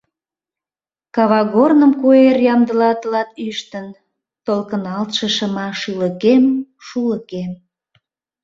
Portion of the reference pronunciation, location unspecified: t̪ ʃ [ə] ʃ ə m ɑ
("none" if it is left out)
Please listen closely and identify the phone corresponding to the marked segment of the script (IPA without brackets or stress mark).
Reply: ə